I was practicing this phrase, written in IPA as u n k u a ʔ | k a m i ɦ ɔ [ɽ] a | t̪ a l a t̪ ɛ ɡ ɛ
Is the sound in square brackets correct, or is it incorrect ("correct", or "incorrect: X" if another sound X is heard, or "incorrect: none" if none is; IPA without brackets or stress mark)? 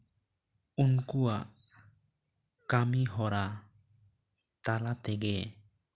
incorrect: ɾ